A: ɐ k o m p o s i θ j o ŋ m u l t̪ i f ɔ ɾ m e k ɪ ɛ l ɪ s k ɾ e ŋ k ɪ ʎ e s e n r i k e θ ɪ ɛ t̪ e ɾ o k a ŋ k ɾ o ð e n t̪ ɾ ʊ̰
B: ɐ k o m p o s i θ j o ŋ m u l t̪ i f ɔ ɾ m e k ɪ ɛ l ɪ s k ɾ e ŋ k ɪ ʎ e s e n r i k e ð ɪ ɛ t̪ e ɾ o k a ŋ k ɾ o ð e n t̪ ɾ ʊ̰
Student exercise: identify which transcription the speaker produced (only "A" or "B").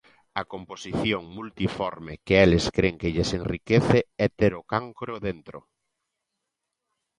A